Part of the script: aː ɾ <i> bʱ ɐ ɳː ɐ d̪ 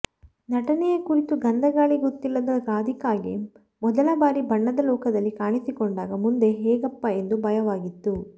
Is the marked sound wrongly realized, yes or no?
no